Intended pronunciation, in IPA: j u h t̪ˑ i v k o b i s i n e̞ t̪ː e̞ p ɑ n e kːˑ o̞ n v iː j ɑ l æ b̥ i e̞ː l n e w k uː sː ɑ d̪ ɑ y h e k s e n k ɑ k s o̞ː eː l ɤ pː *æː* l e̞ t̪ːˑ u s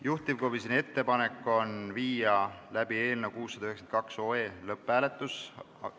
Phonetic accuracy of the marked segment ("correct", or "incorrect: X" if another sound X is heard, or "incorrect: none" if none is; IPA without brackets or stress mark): correct